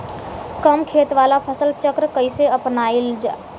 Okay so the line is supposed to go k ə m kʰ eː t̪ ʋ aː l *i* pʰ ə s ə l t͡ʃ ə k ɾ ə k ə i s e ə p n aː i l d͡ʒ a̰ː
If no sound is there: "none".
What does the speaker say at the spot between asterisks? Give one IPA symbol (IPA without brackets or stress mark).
a